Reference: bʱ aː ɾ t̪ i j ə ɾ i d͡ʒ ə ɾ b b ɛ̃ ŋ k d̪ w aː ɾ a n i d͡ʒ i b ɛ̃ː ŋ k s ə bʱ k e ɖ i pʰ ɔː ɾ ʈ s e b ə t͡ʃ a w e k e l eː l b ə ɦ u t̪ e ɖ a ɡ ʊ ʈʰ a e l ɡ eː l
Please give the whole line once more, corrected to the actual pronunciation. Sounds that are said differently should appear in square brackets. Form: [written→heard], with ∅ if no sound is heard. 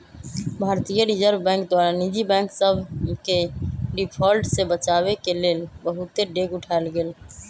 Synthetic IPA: bʱ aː ɾ t̪ i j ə ɾ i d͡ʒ ə ɾ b b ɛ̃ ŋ k d̪ w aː ɾ a n i d͡ʒ i b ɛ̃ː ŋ k s ə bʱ k e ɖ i pʰ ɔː [ɾ→l] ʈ s e b ə t͡ʃ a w e k e l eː l b ə ɦ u t̪ e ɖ [a→e] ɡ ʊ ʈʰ a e l ɡ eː l